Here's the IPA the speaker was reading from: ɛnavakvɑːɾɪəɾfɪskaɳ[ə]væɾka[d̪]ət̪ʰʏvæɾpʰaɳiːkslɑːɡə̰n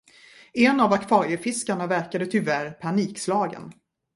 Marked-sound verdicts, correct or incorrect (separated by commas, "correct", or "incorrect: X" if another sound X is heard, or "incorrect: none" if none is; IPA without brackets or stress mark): incorrect: a, correct